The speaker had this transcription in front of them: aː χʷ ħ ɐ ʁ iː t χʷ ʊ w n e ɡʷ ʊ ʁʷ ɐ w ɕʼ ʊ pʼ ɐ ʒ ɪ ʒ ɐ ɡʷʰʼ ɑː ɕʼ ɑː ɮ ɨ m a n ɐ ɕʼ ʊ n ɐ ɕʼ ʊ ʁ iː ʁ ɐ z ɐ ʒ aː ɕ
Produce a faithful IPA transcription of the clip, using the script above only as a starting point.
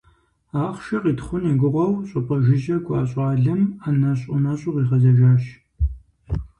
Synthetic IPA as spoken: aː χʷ ʃ ɐ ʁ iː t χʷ ʊ n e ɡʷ ʊ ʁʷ ɐ w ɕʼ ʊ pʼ ɐ ʒ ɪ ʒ ɐ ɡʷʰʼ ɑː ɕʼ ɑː ɮ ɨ m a n ɐ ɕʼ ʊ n ɐ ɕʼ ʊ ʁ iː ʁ ɐ z ɐ ʒ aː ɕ